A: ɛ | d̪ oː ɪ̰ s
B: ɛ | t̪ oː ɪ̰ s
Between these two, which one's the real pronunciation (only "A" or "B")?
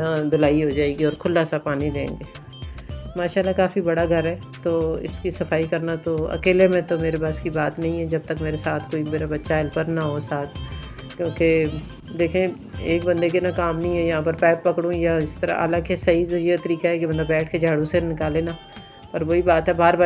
B